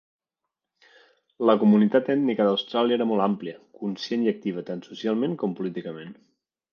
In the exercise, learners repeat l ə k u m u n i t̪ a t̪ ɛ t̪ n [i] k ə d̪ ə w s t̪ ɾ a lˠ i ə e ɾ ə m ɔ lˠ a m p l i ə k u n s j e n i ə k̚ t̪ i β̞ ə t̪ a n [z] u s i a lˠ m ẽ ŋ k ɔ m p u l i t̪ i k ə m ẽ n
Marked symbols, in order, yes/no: yes, no

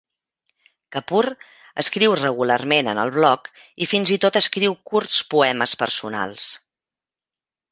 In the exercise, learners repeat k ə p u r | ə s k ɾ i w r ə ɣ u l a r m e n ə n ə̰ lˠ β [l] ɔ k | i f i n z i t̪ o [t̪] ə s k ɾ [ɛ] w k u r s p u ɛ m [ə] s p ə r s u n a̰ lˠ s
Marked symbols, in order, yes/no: yes, yes, no, yes

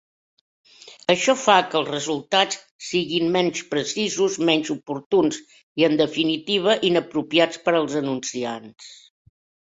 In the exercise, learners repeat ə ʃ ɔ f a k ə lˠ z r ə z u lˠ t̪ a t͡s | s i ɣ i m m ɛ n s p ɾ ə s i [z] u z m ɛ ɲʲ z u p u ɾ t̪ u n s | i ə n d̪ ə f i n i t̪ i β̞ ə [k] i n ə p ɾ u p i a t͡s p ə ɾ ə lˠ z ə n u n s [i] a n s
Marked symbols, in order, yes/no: yes, no, yes

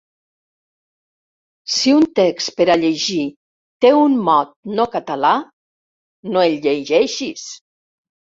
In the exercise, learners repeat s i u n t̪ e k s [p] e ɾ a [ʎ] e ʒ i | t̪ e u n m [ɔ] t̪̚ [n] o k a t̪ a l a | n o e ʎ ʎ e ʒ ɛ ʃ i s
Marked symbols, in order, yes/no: yes, yes, yes, yes

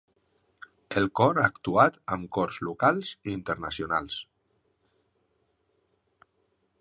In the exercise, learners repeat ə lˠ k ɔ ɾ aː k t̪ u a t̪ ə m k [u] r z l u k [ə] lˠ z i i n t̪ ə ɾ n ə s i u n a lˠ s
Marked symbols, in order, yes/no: no, no

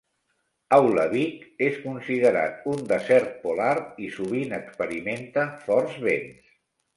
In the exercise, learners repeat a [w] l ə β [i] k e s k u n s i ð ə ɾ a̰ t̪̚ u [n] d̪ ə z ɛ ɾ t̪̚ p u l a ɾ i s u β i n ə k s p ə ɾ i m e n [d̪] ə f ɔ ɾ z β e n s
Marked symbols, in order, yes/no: yes, yes, yes, no

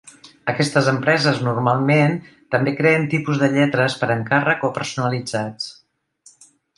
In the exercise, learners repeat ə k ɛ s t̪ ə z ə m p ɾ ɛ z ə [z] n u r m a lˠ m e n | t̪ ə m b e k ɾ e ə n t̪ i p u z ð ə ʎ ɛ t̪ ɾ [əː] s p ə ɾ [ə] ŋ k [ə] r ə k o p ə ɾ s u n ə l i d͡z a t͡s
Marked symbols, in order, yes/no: yes, no, yes, no

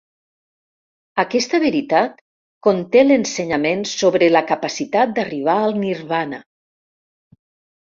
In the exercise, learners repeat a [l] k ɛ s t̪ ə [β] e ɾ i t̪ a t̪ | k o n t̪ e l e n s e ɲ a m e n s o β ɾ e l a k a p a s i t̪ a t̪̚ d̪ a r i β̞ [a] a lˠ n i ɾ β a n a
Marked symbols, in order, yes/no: no, yes, yes

